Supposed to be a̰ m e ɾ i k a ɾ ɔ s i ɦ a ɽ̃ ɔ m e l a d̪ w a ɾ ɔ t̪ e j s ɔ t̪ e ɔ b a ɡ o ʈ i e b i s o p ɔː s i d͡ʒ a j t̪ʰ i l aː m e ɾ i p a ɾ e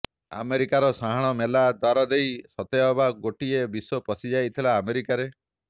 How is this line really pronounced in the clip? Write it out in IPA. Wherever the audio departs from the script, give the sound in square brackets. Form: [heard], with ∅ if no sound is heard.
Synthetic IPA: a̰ m e ɾ i k a ɾ ɔ s [a] ɦ a ɽ̃ ɔ m e l a d̪ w a ɾ ɔ [d̪] e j s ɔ t̪ e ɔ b a ɡ o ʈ i e b i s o p [ɔ] s i d͡ʒ a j t̪ʰ i l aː m e ɾ i [k] a ɾ e